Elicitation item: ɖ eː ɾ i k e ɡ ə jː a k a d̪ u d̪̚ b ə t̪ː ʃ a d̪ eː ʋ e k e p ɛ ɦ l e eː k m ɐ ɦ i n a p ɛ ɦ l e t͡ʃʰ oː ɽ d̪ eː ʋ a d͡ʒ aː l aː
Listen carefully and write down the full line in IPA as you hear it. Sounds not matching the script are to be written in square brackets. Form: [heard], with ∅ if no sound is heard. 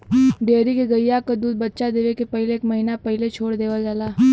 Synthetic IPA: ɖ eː ɾ i k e ɡ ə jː a k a d̪ [uː] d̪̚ b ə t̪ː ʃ a d̪ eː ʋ e k e p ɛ ɦ l e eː k m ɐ ɦ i n a p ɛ ɦ l e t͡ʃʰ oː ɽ d̪ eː ʋ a d͡ʒ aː l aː